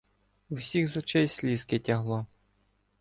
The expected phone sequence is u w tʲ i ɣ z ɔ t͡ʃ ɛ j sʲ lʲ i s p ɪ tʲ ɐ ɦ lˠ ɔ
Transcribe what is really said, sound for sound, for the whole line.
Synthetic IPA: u w sʲ i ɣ z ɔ t͡ʃ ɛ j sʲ lʲ i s k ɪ tʲ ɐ ɦ lˠ ɔ